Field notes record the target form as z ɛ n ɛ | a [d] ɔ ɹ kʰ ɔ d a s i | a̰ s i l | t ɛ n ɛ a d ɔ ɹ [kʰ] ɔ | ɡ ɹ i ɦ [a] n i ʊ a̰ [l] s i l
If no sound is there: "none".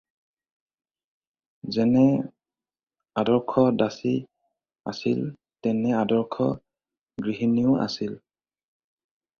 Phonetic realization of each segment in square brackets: d, kʰ, i, none

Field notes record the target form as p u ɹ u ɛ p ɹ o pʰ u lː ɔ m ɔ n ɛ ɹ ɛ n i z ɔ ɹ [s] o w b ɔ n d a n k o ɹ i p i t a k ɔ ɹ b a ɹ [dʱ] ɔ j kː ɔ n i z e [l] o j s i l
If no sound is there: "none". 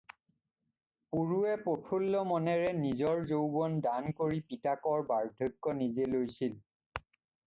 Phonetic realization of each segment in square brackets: z, dʱ, l

